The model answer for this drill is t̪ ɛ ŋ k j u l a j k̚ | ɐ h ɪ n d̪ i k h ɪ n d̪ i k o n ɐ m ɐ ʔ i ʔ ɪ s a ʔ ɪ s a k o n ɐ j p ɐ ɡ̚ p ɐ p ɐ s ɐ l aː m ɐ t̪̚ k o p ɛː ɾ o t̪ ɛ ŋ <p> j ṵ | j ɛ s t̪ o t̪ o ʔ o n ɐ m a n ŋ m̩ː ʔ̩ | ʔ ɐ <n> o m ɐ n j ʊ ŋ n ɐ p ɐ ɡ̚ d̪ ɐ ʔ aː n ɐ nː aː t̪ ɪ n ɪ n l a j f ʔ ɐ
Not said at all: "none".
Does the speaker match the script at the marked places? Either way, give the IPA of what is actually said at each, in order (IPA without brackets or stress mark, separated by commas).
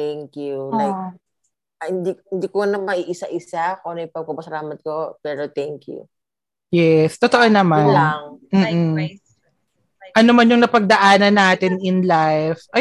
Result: k, n